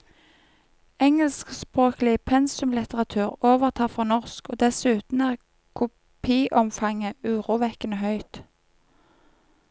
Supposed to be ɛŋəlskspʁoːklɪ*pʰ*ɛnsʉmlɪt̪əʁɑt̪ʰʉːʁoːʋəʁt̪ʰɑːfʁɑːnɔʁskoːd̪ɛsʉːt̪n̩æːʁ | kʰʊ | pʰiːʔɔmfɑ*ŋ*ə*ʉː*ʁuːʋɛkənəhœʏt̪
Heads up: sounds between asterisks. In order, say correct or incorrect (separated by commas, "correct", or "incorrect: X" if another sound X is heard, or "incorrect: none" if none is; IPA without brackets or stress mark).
correct, correct, correct